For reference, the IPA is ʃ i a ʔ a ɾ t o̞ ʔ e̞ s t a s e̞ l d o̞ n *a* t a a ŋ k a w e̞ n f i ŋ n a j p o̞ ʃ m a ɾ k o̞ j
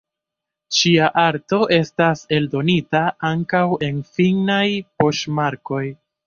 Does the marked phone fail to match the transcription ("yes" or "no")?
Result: yes